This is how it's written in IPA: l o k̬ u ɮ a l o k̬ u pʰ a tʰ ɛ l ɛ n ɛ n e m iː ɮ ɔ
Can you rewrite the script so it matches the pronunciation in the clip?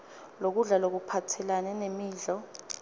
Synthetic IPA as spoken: l o k̬ u ɮ a l o k̬ u pʰ a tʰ ɛ l a n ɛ n e m iː ɮ ɔ

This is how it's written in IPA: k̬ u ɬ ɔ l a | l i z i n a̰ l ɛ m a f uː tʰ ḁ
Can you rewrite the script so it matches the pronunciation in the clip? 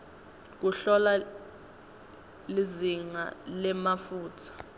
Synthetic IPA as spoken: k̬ u ɬ ɔ l a | l i z i ŋ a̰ l ɛ m a f uː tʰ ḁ

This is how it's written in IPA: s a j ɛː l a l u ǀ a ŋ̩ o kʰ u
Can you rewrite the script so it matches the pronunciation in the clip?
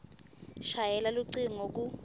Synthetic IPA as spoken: ʃ a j ɛ l a l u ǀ i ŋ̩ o k u

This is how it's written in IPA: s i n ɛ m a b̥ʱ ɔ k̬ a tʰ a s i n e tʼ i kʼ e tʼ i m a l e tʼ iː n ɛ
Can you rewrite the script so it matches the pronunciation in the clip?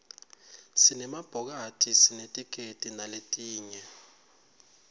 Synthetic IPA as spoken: s i n ɛ m a b̥ʱ ɔ k̬ a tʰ i s i n e tʼ i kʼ e tʼ i n a l e tʼ iː ɲ ɛ

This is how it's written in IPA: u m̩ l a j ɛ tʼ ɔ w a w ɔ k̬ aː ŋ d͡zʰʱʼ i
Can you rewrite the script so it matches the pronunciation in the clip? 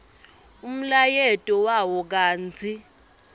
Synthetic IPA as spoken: u m̩ l a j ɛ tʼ ɔ w a w ɔ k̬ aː n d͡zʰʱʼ i

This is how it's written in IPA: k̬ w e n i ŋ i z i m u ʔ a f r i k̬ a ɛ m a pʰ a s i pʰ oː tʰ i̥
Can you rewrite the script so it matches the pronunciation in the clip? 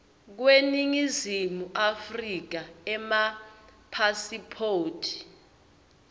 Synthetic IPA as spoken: k̬ w e n i ŋ i z i m u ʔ a f r i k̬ a ɛ m a pʰ a s i pʰ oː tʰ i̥

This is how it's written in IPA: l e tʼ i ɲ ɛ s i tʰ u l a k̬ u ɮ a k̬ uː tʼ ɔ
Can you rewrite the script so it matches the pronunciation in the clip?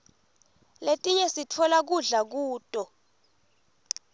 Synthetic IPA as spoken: l e tʼ i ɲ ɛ s i tʰ ɔ l a k̬ u ɮ a k̬ uː tʼ ɔ

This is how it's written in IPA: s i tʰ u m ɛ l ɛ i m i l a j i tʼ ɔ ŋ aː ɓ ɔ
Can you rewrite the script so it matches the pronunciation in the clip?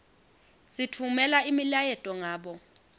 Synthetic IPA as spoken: s i tʰ u m ɛ l a i m i l a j ɛ tʼ ɔ ŋ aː ɓ ɔ

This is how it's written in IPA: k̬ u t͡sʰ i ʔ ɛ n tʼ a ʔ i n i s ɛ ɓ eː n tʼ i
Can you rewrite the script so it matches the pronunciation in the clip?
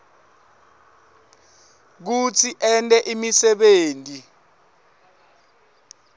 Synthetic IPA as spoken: k̬ u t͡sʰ i ʔ ɛ n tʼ ɛ ʔ i m i s ɛ ɓ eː n tʼ i

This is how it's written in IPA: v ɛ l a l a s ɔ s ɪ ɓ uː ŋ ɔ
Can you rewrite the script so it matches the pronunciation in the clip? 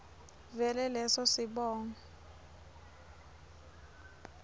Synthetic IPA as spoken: v ɛ l ɛ l ɛ s ɔ s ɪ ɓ ɔː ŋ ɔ

